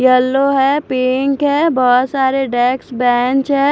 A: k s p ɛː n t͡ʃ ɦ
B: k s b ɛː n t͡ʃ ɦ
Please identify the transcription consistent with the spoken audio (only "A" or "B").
B